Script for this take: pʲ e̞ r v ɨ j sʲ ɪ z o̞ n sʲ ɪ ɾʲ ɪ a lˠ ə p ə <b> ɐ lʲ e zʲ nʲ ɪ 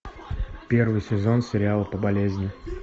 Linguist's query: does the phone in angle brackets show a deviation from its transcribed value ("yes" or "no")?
no